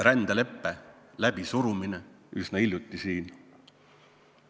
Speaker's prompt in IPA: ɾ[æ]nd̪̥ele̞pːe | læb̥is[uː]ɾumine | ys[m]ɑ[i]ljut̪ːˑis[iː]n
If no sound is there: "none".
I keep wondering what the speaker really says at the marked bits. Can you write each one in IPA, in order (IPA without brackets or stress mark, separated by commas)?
æ, u, n, i, iː